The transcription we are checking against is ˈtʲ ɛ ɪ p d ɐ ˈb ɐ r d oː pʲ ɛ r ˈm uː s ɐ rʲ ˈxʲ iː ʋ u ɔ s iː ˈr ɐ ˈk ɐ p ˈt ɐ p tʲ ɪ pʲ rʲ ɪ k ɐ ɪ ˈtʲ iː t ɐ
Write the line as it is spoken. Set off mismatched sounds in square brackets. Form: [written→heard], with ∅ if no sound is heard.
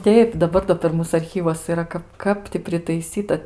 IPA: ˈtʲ ɛ ɪ p d ɐ ˈb ɐ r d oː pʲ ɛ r ˈm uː s ɐ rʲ ˈxʲ iː ʋ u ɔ s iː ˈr ɐ ˈk ɐ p [ˈt→ˈk] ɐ p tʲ ɪ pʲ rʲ ɪ [k→t] ɐ ɪ [ˈtʲ→ˈsʲ] iː t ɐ